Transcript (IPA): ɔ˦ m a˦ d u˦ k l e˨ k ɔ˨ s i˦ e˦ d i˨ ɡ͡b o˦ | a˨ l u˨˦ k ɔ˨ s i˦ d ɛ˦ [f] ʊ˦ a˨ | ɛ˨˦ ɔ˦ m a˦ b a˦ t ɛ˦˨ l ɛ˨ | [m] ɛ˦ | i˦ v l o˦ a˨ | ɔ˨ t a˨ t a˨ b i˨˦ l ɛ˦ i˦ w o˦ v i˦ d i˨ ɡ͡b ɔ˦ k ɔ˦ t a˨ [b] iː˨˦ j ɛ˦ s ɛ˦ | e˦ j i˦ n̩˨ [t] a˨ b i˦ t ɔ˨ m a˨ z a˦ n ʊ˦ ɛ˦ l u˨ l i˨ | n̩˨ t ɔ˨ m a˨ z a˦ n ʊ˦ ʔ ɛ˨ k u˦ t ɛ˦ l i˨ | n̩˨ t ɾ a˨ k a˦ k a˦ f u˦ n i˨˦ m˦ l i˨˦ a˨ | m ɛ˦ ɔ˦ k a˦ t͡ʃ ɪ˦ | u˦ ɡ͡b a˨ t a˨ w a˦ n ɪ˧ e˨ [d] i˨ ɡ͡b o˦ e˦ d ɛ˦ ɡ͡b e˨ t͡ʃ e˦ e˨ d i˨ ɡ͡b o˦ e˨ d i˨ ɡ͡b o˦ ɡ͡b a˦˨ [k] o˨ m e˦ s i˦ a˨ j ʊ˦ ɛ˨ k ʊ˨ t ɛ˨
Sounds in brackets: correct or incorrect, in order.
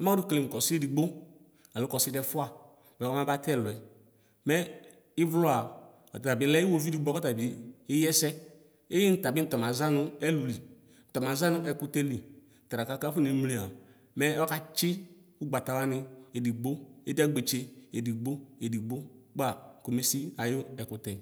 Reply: correct, correct, correct, correct, correct, correct

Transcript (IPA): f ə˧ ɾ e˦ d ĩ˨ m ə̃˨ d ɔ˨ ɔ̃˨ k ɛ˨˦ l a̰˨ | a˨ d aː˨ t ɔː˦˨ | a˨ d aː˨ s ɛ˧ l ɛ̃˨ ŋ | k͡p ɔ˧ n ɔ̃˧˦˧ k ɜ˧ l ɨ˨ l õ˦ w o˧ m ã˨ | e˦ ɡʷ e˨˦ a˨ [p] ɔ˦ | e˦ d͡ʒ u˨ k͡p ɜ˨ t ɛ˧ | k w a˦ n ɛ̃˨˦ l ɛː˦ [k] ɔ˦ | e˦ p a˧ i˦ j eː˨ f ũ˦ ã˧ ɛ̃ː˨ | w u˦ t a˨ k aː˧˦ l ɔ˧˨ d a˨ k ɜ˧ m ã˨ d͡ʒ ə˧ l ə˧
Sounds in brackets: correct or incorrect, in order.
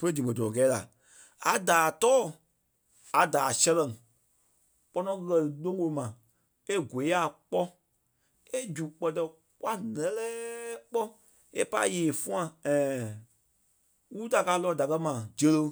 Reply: incorrect, incorrect

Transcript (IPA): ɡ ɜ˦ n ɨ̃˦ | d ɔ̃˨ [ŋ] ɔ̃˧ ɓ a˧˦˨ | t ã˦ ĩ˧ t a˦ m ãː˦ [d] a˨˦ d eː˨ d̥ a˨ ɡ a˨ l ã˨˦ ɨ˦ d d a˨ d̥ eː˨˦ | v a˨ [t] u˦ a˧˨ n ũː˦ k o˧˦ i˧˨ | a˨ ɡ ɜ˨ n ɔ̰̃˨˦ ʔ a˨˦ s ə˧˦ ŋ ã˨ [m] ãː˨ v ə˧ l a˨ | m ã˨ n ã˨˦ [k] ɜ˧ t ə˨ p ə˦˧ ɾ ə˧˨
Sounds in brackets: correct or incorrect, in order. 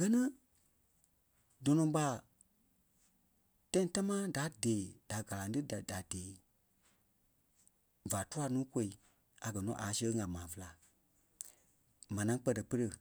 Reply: incorrect, correct, correct, correct, incorrect

